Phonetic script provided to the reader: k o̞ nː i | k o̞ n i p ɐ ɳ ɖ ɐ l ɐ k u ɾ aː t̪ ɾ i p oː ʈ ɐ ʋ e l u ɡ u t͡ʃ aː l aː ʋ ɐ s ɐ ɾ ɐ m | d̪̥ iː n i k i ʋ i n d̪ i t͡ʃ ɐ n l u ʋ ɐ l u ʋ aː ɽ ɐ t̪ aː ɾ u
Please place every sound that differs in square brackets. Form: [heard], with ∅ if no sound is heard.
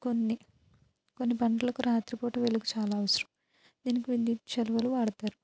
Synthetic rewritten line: k o̞ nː i | k o̞ [nː] i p ɐ ɳ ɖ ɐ l ɐ k u ɾ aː t̪ ɾ i p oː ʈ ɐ ʋ e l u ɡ u t͡ʃ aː l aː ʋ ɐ s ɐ ɾ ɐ m | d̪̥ iː n i k i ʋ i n d̪ i t͡ʃ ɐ [∅] l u ʋ ɐ l u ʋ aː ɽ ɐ t̪ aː ɾ u

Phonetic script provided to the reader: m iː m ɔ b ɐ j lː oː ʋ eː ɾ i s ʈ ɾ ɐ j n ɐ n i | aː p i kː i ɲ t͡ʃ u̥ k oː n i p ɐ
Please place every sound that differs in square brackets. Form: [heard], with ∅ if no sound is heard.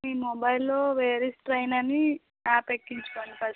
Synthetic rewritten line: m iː m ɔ b ɐ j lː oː ʋ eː ɾ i s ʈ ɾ ɐ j n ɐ n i | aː p [e] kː i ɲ t͡ʃ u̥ k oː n i p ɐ

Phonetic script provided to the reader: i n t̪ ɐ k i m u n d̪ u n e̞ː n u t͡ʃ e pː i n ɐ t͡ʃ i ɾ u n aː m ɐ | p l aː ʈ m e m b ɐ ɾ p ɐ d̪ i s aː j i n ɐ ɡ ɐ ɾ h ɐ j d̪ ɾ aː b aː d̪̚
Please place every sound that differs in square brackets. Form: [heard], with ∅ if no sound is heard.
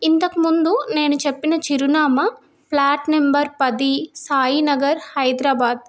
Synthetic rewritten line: i n t̪ ɐ k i m u n d̪ u n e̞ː n u t͡ʃ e pː i n ɐ t͡ʃ i ɾ u n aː m ɐ | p l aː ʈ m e m b ɐ ɾ p ɐ d̪ i s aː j i n ɐ ɡ ɐ ɾ h ɐ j d̪ ɾ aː b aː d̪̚

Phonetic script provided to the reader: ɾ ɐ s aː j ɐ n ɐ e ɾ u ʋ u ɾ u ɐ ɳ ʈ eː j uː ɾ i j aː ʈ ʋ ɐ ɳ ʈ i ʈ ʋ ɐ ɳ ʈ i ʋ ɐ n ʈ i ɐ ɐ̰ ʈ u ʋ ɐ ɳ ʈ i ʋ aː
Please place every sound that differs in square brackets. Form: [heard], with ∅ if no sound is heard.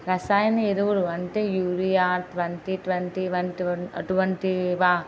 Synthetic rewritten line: ɾ ɐ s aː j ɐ n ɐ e ɾ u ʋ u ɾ u ɐ ɳ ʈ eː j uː ɾ i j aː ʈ ʋ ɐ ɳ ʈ i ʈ ʋ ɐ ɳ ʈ i ʋ ɐ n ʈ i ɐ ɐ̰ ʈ u ʋ ɐ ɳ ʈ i ʋ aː

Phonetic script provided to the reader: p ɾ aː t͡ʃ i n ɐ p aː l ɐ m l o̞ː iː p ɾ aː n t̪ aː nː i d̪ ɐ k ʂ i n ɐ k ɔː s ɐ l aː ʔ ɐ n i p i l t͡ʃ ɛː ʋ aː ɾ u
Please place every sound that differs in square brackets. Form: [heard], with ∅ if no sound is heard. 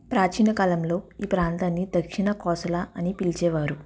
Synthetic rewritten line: p ɾ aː t͡ʃ i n ɐ [k] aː l ɐ m l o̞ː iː p ɾ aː n t̪ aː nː i d̪ ɐ k ʂ i n ɐ k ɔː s ɐ l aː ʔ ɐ n i p i l t͡ʃ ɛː ʋ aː ɾ u

